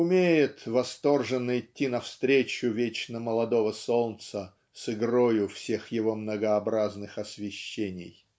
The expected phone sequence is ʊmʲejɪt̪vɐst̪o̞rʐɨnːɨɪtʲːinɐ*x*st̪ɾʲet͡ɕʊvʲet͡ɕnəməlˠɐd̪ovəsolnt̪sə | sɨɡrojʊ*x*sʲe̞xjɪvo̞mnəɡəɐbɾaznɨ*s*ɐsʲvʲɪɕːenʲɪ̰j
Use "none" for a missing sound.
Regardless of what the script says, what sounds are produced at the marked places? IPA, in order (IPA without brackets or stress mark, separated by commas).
f, f, x